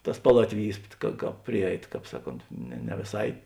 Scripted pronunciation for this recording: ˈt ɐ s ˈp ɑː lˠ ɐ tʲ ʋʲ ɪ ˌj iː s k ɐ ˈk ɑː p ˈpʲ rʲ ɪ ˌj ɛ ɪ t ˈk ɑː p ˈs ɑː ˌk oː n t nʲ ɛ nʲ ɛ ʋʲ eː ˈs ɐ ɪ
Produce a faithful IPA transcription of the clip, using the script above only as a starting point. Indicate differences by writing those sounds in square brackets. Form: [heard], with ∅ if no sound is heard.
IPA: ˈt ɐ s ˈp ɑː lˠ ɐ tʲ ʋʲ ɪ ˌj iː s k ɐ ˈk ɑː p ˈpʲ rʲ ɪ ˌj ɛ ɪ t ˈk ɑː p ˈs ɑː ˌk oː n t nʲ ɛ nʲ ɛ ʋʲ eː ˈs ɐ ɪ